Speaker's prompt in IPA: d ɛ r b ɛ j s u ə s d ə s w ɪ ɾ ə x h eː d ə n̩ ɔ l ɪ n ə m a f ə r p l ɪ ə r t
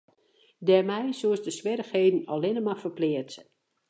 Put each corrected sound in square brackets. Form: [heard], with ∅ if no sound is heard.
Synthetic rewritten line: d ɛ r [m] ɛ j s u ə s d ə s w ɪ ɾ ə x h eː d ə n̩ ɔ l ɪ n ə m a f ə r p l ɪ ə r t